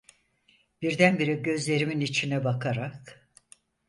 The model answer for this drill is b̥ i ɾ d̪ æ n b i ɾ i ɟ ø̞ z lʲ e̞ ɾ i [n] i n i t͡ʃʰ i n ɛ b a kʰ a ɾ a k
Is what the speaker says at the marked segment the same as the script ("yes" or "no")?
no